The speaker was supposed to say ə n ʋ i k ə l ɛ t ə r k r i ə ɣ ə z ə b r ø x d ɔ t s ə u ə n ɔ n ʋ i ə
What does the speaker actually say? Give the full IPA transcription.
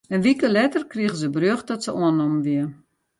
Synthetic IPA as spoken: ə n ʋ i k ə l ɛ t ə r k r i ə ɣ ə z ə b r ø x d ɔ t s ə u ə n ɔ m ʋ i ə